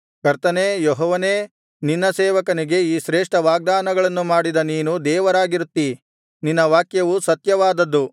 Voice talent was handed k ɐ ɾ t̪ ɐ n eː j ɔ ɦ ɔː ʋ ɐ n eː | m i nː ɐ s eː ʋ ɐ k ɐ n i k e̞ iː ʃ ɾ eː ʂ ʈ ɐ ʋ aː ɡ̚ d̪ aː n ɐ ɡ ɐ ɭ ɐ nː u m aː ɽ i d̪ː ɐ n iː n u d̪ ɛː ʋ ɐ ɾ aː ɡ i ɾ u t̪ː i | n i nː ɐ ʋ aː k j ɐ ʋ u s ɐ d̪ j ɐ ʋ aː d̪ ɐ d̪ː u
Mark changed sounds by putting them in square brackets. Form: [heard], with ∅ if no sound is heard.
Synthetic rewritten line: k ɐ ɾ t̪ ɐ n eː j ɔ ɦ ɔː ʋ ɐ n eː | [n] i nː ɐ s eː ʋ ɐ k ɐ n i [ɡ] e̞ iː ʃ ɾ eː ʂ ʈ ɐ ʋ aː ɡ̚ d̪ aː n ɐ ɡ ɐ ɭ ɐ nː u m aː ɽ i [d̪] ɐ n iː n u d̪ ɛː ʋ ɐ ɾ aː ɡ i ɾ u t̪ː i | n i nː ɐ ʋ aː k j ɐ ʋ u s ɐ [t̪] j ɐ ʋ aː d̪ ɐ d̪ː u